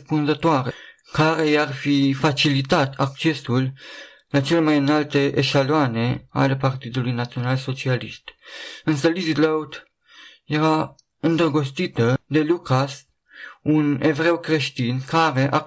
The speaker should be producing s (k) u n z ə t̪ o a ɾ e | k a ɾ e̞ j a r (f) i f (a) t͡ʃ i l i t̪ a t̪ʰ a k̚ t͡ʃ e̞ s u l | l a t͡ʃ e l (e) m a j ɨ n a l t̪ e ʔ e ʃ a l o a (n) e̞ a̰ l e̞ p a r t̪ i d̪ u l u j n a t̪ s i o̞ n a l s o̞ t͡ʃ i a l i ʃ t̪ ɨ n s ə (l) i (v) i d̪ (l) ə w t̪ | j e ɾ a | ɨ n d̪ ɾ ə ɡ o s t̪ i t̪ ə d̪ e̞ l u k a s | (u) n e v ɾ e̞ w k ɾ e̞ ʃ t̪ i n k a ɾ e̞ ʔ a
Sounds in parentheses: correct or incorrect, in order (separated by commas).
incorrect, correct, correct, correct, correct, correct, incorrect, correct, correct